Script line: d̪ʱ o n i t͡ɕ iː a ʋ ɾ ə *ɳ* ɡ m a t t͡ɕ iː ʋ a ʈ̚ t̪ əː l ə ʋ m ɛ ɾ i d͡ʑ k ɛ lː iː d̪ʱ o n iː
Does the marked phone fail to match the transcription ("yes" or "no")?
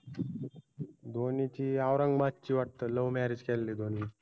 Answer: yes